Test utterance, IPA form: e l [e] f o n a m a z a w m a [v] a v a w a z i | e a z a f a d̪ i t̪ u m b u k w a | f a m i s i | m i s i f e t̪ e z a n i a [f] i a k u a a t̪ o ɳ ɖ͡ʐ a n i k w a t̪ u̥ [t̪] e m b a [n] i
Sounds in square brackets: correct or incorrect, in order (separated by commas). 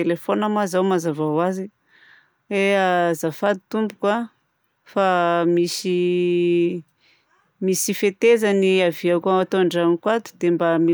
correct, incorrect, incorrect, incorrect, incorrect